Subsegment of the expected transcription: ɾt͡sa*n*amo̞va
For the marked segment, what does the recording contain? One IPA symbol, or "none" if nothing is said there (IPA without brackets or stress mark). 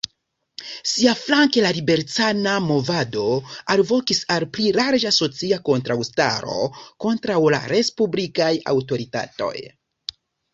n